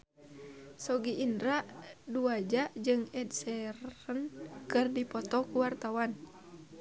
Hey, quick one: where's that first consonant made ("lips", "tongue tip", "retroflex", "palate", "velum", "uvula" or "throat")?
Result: tongue tip